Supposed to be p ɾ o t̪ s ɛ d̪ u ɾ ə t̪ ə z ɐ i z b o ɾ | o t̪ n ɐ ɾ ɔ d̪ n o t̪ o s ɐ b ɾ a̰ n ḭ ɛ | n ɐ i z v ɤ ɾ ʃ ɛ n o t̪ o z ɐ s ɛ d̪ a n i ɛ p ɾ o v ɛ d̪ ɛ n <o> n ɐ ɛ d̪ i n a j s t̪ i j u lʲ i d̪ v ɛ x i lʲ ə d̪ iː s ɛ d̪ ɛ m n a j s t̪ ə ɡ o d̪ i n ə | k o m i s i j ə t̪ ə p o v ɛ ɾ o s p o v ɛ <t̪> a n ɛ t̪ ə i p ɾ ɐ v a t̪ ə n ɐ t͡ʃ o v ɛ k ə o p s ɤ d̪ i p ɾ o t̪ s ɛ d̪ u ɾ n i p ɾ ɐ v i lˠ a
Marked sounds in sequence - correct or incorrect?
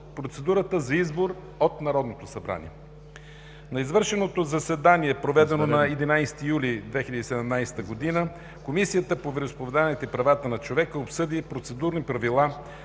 correct, incorrect

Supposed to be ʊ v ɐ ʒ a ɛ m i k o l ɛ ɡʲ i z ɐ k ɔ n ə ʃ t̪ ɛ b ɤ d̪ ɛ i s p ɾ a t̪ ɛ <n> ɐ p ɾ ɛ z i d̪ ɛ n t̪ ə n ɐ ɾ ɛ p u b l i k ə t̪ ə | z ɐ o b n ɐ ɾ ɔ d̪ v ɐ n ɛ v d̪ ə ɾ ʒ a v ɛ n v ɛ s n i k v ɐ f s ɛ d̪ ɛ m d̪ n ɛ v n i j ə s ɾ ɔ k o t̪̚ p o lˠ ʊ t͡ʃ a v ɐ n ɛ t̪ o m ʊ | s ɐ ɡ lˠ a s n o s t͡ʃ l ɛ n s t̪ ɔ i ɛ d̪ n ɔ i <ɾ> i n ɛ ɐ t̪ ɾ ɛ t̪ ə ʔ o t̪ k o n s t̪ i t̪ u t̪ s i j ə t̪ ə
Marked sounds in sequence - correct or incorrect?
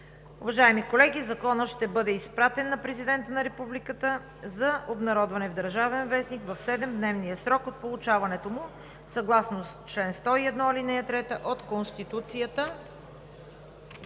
incorrect, incorrect

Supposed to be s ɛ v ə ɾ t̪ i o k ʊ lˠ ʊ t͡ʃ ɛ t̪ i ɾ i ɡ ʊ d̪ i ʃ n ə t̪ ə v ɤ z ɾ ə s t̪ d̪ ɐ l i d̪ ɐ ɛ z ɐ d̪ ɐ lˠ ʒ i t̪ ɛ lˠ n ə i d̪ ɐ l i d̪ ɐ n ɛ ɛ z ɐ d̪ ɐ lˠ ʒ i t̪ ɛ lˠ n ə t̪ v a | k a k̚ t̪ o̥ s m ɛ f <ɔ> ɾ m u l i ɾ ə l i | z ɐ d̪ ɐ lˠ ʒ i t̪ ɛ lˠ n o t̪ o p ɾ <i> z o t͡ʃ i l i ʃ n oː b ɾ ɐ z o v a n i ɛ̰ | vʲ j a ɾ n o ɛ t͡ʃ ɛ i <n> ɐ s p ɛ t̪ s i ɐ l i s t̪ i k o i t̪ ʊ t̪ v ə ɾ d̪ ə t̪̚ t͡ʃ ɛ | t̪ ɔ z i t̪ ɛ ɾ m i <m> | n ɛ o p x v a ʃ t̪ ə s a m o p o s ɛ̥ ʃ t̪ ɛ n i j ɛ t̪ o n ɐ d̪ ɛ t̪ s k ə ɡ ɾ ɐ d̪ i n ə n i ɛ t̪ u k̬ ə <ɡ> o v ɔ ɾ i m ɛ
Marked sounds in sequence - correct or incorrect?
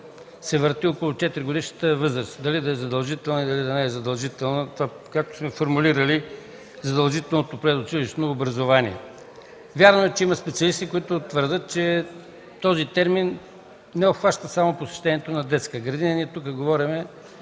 incorrect, incorrect, incorrect, incorrect, correct

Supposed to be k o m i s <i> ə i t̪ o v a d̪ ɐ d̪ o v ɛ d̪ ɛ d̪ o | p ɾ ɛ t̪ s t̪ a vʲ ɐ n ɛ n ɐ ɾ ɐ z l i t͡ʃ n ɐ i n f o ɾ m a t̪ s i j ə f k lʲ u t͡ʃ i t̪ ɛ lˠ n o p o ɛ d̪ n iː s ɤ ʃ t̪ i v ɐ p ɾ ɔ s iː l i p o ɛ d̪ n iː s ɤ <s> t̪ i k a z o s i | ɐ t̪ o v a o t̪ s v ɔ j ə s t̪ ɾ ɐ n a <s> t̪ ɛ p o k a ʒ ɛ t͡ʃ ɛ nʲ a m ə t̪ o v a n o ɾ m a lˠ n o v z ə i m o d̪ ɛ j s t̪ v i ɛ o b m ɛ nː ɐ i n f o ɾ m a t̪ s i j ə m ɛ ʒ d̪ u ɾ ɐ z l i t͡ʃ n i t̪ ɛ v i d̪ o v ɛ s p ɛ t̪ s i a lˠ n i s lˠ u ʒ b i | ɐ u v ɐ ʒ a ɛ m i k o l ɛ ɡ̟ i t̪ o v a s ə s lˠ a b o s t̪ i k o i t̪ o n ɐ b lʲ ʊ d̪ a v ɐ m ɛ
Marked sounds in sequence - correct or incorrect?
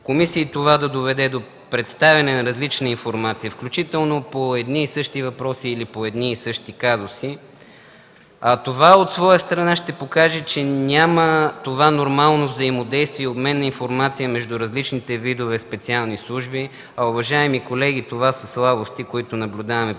correct, incorrect, incorrect

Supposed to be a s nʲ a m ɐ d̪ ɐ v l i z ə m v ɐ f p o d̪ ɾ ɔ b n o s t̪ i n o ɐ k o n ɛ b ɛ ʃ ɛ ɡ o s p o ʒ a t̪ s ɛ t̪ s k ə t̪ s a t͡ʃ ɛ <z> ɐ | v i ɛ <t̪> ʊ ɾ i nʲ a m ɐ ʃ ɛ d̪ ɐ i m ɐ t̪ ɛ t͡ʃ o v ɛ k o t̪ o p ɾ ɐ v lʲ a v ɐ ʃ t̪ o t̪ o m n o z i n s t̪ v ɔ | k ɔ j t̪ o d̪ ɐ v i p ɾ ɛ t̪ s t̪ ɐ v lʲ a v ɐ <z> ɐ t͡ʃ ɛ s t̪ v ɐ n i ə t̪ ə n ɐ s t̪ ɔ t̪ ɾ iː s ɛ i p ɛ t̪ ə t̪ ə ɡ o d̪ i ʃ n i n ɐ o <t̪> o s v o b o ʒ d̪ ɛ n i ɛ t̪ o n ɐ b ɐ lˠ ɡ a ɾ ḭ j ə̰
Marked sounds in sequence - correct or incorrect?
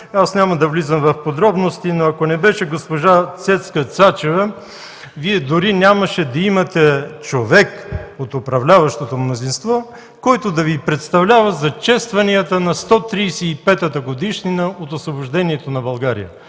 incorrect, incorrect, correct, correct

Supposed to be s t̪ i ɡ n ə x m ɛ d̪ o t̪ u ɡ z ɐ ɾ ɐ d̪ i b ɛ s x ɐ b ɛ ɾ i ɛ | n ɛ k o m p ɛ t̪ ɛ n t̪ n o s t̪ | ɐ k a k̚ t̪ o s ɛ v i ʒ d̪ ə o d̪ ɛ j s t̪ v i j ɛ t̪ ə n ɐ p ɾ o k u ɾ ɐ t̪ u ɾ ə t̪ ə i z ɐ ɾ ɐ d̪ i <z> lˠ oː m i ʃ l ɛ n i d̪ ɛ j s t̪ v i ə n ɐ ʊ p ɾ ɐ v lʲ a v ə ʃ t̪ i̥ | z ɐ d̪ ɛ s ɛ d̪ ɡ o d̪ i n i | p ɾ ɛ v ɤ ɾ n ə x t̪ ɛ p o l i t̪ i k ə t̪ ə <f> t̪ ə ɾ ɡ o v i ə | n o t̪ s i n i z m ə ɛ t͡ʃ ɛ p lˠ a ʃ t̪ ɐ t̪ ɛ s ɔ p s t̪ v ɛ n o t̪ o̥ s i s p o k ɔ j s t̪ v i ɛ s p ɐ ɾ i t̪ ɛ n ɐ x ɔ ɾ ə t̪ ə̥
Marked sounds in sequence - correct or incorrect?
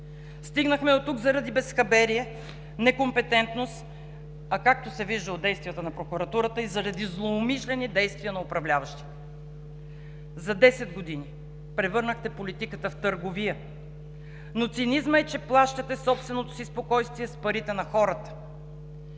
correct, correct

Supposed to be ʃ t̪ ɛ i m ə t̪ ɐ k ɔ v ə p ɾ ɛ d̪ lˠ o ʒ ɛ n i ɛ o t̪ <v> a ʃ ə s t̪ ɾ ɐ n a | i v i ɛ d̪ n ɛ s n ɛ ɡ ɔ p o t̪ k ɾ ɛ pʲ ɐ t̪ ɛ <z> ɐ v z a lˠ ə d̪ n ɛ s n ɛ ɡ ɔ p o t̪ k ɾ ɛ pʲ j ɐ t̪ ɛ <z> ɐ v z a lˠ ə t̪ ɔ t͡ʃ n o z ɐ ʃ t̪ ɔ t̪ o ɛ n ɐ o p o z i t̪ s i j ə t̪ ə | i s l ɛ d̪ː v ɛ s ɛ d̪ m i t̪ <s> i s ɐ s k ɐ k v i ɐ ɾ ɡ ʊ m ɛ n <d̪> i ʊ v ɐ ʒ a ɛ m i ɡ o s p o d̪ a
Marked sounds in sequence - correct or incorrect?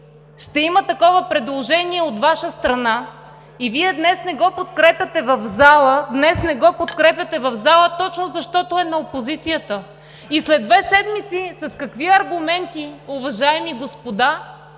correct, incorrect, incorrect, correct, incorrect

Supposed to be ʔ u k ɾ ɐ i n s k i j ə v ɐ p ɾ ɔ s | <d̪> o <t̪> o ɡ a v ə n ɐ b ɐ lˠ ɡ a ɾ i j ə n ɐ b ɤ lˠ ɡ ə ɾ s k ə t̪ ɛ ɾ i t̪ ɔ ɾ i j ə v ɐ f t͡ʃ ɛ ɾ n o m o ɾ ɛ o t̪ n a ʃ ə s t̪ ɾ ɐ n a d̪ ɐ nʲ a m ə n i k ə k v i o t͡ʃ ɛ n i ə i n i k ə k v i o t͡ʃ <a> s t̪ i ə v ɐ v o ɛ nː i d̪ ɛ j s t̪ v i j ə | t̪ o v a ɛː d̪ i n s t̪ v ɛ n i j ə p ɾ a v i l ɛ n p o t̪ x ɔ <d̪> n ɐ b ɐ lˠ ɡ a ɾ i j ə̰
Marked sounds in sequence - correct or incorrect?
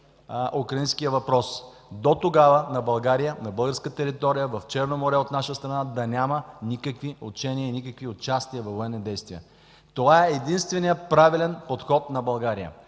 correct, correct, correct, incorrect

